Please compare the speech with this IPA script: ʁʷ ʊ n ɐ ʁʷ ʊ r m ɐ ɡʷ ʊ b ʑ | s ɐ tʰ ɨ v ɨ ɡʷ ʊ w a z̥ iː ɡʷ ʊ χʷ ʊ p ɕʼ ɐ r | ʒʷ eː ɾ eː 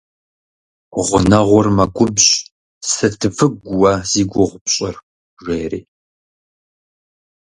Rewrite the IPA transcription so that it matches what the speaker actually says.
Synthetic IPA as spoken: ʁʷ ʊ n ɐ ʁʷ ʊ r m ɐ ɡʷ ʊ b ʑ | s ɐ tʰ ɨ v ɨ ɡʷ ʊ w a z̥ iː ɡʷ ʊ ʁʷ ʊ p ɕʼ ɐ r | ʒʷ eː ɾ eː

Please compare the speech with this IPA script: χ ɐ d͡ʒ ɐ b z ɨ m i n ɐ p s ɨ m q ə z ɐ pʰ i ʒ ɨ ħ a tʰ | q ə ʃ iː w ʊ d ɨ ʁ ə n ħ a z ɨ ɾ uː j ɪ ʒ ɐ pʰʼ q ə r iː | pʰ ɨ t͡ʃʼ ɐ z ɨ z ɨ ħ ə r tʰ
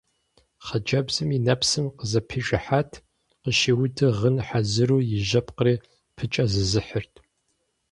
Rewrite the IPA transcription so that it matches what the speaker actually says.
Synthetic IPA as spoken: χ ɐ d͡ʒ ɐ b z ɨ m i n ɐ p s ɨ m q ə z ɐ pʰ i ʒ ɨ ħ a tʰ | q ə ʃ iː w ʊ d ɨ ʁ ə n ħ a z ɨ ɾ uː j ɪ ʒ ɐ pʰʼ q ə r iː | pʰ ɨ t͡ʃʼ ɐ z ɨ z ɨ ħ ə r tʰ

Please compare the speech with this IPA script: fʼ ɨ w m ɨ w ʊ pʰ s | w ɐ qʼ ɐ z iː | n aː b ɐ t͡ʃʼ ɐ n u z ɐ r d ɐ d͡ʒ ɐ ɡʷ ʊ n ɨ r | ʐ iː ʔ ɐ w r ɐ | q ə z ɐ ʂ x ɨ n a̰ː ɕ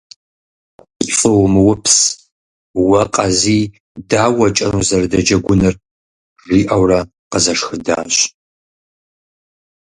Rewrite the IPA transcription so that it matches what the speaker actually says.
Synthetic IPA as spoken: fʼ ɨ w m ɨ w ʊ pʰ s | w ɐ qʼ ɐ z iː | d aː w ɐ t͡ʃʼ ɐ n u z ɐ r d ɐ d͡ʒ ɐ ɡʷ ʊ n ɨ r | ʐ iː ʔ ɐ w r ɐ | q ə z ɐ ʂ x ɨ d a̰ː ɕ

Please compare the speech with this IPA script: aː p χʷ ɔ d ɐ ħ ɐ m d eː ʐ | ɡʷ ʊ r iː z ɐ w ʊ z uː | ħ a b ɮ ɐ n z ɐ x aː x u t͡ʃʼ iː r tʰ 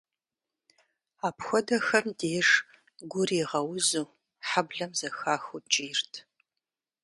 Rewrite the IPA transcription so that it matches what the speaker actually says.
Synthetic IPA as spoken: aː p xʷ ɔ d ɐ x ɐ m d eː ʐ | ɡʷ ʊ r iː ʁ ɐ w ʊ z uː | ħ a b ɮ ɐ m z ɐ x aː x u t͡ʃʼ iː r tʰ

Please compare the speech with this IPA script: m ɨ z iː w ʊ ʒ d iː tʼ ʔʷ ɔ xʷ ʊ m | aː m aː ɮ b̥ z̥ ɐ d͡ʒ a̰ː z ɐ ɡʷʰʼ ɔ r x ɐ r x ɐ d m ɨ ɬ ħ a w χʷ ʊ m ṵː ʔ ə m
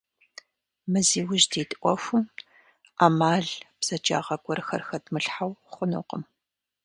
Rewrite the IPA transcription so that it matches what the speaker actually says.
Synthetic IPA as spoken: m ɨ z iː w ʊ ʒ d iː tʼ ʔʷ ɔ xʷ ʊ m | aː m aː ɮ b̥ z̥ ɐ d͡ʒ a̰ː ʁ ɐ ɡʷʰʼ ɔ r x ɐ r x ɐ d m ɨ ɬ ħ a w χʷ ʊ n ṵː q ə m

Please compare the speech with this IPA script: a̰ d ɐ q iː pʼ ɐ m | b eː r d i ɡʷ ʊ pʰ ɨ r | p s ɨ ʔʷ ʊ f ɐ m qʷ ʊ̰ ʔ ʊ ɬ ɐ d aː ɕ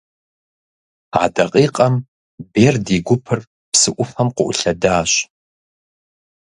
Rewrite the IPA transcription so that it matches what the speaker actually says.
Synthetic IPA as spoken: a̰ d ɐ qʼ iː qʼ ɐ m | b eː r d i ɡʷ ʊ pʰ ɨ r | p s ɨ ʔʷ ʊ f ɐ m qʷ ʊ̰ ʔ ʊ ɬ ɐ d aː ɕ

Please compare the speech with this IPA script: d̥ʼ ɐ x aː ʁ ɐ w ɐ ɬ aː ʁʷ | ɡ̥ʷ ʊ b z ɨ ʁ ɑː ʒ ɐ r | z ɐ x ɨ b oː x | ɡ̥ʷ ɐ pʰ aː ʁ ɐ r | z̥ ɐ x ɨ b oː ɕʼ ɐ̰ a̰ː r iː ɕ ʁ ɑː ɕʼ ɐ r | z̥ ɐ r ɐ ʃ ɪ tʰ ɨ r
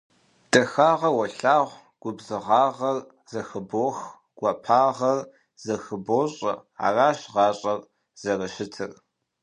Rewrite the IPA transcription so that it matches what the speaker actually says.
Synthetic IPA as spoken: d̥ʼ ɐ x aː ʁ ɐ w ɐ ɬ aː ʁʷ | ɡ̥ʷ ʊ b z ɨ ʁ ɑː ʁ ɐ r | z ɐ x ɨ b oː x | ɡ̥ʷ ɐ pʰ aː ʁ ɐ r | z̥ ɐ x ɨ b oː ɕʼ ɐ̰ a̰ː r aː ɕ ʁ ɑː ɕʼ ɐ r | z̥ ɐ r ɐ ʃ ɪ tʰ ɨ r

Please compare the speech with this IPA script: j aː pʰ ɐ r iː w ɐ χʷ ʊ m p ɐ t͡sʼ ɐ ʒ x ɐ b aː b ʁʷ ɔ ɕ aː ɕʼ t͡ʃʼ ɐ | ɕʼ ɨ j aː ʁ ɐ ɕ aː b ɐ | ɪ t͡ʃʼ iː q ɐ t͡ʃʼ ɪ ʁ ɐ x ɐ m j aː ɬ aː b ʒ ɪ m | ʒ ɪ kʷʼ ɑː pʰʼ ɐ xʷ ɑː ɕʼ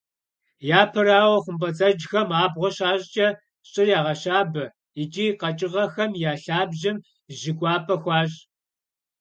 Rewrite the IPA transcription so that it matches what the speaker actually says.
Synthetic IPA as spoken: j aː pʰ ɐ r aː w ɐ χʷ ʊ m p ɐ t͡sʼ ɐ d͡ʒ x ɐ m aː b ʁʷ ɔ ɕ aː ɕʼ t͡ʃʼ ɐ | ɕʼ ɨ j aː ʁ ɐ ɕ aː b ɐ | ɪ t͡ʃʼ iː q ɐ t͡ʃʼ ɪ ʁ ɐ x ɐ m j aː ɬ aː b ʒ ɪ m | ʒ ɪ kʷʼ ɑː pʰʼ ɐ xʷ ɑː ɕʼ

